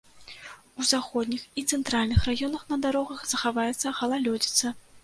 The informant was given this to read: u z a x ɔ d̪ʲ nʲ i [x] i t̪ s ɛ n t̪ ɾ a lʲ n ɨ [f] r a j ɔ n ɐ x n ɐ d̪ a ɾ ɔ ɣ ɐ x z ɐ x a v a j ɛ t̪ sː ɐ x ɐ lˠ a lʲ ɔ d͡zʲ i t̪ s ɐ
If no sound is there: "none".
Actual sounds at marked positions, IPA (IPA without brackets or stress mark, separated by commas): x, x